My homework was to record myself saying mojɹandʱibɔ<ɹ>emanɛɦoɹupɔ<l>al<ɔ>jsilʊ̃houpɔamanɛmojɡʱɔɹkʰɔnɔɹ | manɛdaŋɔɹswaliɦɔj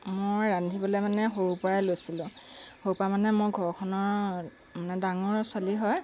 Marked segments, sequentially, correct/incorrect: incorrect, incorrect, incorrect

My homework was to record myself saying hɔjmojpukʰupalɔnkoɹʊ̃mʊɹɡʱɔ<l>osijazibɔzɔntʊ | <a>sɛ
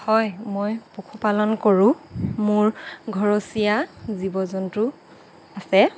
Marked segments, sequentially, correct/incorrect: incorrect, correct

